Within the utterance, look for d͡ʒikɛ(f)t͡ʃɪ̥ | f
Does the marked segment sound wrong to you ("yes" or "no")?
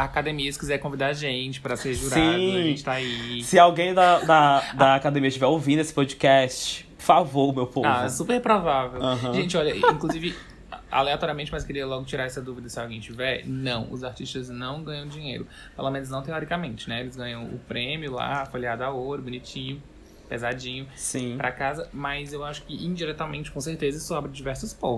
yes